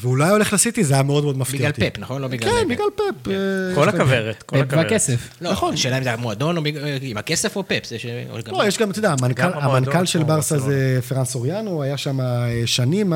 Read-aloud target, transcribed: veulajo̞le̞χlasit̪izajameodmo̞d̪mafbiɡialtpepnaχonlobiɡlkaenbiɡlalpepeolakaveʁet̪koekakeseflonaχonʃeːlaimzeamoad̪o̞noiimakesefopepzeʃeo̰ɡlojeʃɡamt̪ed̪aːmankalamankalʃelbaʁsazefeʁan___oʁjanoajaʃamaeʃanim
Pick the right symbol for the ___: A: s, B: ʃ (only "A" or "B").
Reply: A